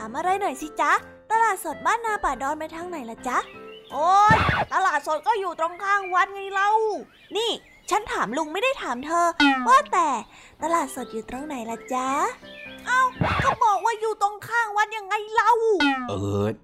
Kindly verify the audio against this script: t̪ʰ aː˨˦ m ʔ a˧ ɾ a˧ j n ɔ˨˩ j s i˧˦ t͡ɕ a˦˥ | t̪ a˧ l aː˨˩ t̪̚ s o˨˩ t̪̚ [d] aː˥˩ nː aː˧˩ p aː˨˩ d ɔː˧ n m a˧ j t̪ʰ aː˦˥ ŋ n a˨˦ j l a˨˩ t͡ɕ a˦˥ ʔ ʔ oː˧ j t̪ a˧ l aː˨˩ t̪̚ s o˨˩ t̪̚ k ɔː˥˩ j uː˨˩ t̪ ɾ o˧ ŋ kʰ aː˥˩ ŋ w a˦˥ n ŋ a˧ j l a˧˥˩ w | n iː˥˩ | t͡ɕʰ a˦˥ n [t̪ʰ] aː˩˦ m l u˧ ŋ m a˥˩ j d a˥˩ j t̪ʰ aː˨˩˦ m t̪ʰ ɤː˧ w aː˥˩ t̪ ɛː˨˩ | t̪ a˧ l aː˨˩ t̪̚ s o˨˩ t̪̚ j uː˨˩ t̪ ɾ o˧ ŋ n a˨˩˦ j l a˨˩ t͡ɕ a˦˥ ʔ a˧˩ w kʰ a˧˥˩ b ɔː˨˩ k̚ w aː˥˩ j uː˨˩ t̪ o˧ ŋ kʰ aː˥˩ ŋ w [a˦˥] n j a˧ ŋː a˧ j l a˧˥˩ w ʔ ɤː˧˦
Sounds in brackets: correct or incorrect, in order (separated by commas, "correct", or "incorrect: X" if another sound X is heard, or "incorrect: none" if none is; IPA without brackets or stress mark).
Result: incorrect: b, correct, correct